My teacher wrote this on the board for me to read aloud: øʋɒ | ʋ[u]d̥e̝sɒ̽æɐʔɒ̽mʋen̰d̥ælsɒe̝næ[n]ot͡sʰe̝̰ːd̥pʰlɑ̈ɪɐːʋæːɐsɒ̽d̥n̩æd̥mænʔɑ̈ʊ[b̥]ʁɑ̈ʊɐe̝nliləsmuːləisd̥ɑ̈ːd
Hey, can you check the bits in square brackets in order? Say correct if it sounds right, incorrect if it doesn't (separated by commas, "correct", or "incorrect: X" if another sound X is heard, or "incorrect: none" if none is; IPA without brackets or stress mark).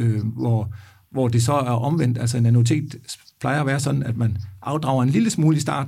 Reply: incorrect: ɒ, correct, incorrect: d̥